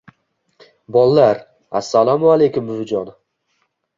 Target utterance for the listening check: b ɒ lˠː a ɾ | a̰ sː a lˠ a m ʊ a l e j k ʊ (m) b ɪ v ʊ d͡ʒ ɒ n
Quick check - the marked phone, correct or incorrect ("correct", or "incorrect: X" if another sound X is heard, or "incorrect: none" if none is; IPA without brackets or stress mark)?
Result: correct